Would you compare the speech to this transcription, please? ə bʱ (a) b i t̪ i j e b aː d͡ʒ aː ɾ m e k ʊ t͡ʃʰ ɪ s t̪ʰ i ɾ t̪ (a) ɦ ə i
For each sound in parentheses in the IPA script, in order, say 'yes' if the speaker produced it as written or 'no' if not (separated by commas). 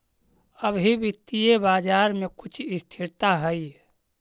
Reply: no, yes